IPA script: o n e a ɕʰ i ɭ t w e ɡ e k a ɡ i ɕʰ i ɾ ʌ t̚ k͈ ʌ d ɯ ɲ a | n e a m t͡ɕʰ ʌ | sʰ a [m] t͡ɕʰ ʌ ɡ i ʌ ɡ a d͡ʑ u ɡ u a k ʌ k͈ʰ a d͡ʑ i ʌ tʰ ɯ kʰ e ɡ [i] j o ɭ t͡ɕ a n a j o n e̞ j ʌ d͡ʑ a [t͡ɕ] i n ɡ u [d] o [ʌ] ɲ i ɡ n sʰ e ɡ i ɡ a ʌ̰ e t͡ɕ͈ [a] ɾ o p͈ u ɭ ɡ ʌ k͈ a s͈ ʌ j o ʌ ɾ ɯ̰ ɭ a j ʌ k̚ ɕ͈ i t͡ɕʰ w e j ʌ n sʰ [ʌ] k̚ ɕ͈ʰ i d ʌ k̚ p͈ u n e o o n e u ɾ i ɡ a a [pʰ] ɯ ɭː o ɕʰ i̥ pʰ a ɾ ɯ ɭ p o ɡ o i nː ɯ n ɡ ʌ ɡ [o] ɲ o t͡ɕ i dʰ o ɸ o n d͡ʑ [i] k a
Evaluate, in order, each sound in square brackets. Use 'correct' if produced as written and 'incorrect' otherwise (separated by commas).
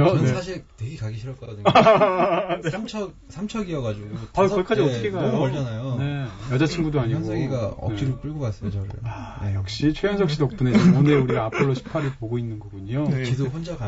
correct, incorrect, incorrect, correct, incorrect, incorrect, correct, correct, incorrect, incorrect